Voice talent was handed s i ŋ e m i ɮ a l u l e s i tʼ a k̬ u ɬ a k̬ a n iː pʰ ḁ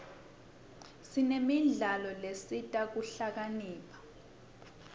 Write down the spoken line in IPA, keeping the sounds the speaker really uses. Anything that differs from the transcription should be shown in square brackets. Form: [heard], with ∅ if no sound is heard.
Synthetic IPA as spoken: s i [n] e m i ɮ a l [ɔ] l e s i tʼ a k̬ u ɬ a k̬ a n iː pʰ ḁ